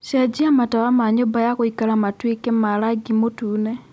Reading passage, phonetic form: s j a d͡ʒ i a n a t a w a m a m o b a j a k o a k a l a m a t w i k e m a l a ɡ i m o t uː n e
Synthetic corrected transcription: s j a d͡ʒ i a m a t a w a m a ɲ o b a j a k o i k a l a m a t w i k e m a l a ɡ i m o t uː n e